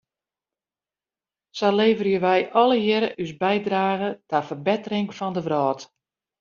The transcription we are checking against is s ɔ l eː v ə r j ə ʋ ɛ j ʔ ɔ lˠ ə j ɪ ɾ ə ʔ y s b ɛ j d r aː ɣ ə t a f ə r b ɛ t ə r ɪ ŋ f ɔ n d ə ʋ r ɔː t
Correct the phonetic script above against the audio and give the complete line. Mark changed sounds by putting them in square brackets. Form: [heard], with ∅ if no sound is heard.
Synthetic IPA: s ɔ l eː v ə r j ə ʋ ɛ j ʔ ɔ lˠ ə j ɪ ɾ ə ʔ y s b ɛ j d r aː ɣ ə t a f ə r b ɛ t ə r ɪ ŋ f ɔ n d ə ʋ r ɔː t

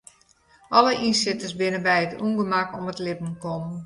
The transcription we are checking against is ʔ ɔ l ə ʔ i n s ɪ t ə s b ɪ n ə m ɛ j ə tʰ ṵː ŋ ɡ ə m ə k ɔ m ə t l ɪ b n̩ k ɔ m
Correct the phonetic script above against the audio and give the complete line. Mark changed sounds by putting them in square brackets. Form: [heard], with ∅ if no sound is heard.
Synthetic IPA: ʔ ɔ l ə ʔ i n s ɪ t ə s b ɪ n ə [b] ɛ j ə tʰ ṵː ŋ ɡ ə m [a] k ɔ m ə t l ɪ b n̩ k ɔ m

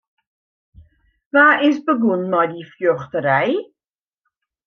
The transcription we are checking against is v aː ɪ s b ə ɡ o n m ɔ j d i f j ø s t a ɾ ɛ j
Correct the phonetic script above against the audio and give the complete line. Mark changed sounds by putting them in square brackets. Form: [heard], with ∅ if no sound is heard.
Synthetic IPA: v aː ɪ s b ə ɡ [u] n m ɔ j d i f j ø [χ] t [ə] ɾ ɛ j

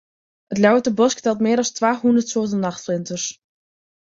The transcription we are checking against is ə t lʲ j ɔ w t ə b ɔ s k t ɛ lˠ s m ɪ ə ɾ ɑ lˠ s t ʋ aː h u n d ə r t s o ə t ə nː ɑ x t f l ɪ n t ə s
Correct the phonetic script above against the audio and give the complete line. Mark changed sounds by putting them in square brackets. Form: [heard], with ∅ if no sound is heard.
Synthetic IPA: ə t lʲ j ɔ w t ə b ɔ s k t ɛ lˠ [t] m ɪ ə ɾ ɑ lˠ s t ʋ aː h u n d ə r t s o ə t ə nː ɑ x t f l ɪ n t ə s

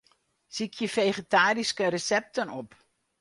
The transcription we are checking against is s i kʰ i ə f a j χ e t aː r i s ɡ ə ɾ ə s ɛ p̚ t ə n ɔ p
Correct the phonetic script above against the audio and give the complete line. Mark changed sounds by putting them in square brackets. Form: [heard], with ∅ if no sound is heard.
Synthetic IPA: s i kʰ [j] ə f [e] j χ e t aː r i s [k] ə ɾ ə s ɛ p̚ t ə n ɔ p

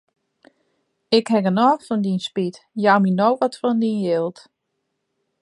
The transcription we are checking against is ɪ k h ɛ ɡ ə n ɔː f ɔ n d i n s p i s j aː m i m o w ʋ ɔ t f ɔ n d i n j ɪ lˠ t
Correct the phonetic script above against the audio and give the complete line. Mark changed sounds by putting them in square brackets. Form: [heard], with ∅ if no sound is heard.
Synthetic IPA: ɪ k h ɛ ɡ ə n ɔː f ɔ n d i n s p i [t] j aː m i [n] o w ʋ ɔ t f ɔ n d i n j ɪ lˠ t

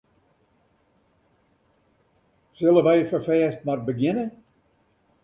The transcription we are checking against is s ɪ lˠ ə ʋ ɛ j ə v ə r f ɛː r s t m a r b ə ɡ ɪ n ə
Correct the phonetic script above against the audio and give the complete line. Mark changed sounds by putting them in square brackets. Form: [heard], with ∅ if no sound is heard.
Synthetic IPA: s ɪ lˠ ə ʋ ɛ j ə [f] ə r f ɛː [∅] s t m a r b ə ɡ ɪ n ə

